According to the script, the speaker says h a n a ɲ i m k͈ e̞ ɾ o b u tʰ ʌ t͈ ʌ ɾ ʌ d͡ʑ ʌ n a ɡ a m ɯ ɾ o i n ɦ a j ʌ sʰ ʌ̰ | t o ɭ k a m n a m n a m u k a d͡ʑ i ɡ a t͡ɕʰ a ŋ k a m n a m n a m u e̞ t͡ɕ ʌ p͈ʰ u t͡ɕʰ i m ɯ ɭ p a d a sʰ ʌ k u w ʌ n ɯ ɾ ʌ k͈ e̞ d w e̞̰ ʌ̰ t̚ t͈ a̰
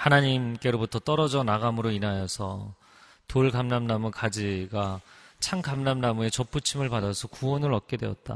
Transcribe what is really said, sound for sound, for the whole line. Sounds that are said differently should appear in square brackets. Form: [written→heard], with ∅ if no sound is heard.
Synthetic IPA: h a n a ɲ i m k͈ e̞ ɾ o b u tʰ ʌ t͈ ʌ ɾ ʌ d͡ʑ ʌ n a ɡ a m ɯ ɾ o i n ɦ a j ʌ sʰ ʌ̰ | t o ɭ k a m n a m n a m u k a d͡ʑ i ɡ a t͡ɕʰ a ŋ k a m n a m n a m u e̞ t͡ɕ ʌ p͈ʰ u t͡ɕʰ i m ɯ ɭ p a d a sʰ ʌ k u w ʌ n ɯ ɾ ʌ k͈ e̞ d w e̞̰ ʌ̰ t̚ t͈ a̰